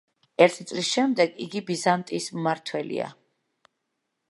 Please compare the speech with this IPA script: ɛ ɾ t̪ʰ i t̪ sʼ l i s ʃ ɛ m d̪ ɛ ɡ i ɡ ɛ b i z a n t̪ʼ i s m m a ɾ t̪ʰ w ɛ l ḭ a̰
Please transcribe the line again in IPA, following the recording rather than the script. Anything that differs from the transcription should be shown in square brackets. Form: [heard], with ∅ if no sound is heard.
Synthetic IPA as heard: ɛ ɾ t̪ʰ i t̪ sʼ l i s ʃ ɛ m d̪ ɛ ɡ i ɡ [i] b i z a n t̪ʼ i s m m a ɾ t̪ʰ w ɛ l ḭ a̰